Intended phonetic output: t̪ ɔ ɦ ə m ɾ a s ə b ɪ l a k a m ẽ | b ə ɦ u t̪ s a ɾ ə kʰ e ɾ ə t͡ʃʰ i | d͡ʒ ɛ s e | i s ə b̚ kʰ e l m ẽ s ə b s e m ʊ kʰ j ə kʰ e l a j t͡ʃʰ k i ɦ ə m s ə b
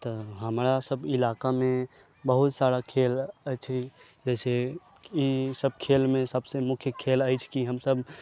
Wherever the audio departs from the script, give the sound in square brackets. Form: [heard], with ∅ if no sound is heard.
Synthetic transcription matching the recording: t̪ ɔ ɦ ə m ɾ a s ə b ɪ l a k a m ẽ | b ə ɦ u t̪ s a ɾ [a] kʰ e [l] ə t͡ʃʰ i | d͡ʒ ɛ s e | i s ə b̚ kʰ e l m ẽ s ə b s e m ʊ kʰ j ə kʰ e l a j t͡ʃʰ k i ɦ ə m s ə b